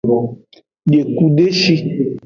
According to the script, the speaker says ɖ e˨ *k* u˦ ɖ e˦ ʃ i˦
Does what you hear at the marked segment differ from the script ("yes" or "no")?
no